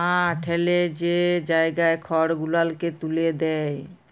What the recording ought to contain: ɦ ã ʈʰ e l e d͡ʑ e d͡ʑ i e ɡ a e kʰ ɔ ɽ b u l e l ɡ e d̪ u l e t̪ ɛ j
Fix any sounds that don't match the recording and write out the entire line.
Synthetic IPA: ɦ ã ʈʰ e l e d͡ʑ e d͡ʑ a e ɡ a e kʰ ɔ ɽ ɡ u l a l k e t̪ u l e d̪ ɛ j